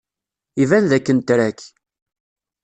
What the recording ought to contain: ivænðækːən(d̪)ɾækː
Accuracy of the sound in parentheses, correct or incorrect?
incorrect